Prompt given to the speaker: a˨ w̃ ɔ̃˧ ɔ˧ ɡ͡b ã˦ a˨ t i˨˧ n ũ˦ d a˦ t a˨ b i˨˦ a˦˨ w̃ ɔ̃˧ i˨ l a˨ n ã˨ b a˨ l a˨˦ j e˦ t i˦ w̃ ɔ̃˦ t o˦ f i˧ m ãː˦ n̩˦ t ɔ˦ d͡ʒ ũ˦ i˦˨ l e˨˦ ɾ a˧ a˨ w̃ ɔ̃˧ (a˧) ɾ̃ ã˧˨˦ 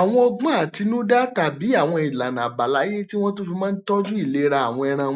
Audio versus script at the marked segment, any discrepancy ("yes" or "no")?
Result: yes